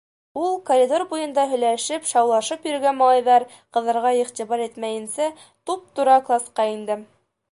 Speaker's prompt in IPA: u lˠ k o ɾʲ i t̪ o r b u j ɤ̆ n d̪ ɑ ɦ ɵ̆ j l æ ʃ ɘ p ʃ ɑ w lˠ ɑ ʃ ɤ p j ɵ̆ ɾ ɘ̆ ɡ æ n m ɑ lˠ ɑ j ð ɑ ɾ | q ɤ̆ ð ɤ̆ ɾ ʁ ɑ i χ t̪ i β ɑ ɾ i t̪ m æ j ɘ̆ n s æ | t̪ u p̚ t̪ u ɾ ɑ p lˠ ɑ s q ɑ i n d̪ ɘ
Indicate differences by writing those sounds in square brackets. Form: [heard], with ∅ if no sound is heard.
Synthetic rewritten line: u lˠ k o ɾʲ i [d̪] o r b u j ɤ̆ n d̪ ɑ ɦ ɵ̆ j l æ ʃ ɘ p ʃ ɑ w lˠ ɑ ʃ ɤ p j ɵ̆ ɾ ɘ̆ ɡ æ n m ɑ lˠ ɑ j ð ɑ ɾ | q ɤ̆ ð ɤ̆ ɾ ʁ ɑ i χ t̪ i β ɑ ɾ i t̪ m æ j ɘ̆ n s æ | t̪ u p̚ t̪ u ɾ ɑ [k] lˠ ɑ s q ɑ i n d̪ ɘ